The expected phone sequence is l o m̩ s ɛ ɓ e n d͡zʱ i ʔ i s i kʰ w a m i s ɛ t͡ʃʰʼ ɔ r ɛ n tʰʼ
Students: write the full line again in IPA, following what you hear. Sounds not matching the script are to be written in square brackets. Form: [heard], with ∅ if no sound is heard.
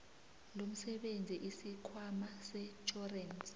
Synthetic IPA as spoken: l o m̩ s ɛ ɓ e n d͡zʱ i ʔ i s i kʰ w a m [a] s ɛ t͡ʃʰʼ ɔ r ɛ n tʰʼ